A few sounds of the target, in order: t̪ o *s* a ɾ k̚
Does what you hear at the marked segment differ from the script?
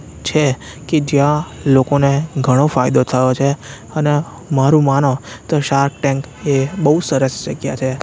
yes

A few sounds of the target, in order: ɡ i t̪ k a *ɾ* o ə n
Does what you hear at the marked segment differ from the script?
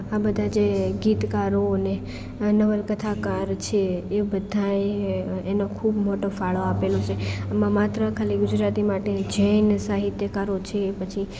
no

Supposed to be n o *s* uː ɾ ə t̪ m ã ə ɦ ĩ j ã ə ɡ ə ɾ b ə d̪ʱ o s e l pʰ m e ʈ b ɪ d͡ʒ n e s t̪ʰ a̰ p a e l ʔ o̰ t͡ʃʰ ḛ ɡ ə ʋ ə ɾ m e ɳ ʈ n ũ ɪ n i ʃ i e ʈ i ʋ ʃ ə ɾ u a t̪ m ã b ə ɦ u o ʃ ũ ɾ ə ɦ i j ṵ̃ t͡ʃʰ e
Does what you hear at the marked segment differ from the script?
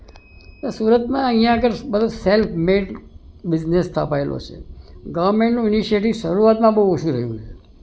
no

